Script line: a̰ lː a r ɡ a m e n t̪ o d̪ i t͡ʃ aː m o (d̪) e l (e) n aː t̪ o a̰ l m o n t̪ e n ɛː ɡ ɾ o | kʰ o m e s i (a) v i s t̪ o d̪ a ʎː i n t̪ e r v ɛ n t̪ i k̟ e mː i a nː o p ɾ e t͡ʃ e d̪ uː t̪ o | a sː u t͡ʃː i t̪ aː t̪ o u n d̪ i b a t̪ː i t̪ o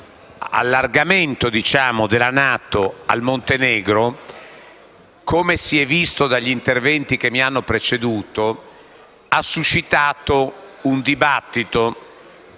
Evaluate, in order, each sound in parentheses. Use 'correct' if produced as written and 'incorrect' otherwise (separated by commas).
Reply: correct, incorrect, incorrect